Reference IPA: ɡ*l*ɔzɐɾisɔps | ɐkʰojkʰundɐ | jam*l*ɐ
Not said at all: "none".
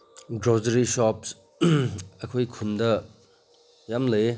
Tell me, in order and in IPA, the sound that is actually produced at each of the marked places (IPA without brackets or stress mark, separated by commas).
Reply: ɾ, l